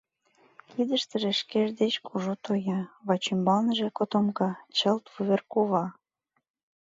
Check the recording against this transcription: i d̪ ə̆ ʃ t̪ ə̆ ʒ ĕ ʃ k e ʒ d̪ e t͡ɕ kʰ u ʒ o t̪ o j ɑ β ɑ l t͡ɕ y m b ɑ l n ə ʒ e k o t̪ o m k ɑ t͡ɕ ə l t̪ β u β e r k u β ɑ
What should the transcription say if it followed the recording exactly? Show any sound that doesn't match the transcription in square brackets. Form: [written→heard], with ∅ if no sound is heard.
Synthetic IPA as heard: i d̪ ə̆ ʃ t̪ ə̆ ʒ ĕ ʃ k e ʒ d̪ e t͡ɕ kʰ u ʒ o t̪ o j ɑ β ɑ [l→∅] t͡ɕ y m b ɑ l n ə ʒ e k o t̪ o m k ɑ t͡ɕ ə l t̪ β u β e r k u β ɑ